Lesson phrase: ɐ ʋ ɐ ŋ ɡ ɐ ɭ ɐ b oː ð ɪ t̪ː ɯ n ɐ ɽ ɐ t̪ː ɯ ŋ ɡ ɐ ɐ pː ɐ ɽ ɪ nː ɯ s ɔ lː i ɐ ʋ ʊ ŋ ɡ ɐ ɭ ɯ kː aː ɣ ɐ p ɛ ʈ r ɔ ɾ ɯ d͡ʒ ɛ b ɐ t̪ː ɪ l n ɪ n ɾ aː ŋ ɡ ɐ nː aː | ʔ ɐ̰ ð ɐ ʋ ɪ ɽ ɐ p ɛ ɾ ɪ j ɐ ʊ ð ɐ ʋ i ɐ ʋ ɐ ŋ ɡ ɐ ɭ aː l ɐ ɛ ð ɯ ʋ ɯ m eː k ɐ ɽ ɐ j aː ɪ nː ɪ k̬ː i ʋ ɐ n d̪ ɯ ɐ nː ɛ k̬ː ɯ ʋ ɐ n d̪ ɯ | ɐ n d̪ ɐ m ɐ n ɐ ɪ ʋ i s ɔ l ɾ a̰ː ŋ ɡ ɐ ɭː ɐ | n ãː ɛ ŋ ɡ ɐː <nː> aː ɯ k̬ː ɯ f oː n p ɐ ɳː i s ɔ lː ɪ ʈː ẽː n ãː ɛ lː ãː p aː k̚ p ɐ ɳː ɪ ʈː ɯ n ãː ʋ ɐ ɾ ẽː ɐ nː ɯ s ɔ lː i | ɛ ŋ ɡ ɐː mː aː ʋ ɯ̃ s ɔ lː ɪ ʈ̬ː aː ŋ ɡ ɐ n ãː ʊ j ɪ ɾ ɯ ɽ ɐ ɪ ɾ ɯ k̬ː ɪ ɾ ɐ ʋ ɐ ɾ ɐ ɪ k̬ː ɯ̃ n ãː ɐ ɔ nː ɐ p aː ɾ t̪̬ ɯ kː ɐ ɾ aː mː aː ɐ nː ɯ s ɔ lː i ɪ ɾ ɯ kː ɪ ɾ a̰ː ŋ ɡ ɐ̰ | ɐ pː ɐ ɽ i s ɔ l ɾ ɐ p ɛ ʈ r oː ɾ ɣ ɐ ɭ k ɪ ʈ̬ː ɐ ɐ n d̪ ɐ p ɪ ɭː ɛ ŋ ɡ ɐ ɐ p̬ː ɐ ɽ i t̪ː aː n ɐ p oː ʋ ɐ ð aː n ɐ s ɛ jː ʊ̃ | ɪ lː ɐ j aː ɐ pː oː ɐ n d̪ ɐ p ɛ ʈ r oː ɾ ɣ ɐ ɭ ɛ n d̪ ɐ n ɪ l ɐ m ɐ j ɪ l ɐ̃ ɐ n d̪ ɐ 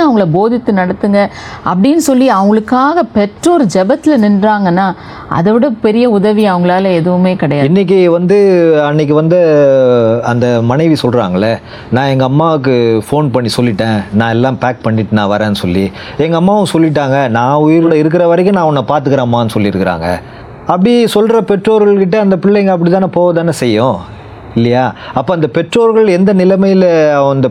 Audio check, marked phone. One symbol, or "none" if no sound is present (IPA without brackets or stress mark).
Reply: mː